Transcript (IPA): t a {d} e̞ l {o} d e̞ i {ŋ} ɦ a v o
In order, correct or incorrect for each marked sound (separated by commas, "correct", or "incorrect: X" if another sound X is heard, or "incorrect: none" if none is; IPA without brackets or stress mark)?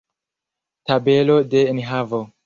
incorrect: b, correct, incorrect: n